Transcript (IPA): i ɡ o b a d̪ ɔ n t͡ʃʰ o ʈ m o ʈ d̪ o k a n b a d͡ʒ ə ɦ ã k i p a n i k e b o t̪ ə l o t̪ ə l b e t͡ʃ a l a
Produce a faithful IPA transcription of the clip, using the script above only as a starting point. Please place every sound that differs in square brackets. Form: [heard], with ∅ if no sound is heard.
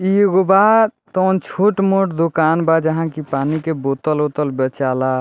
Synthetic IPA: i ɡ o b a [t̪] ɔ n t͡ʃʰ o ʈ m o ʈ d̪ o k a n b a d͡ʒ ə ɦ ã k i p a n i k e b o t̪ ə l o t̪ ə l b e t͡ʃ a l a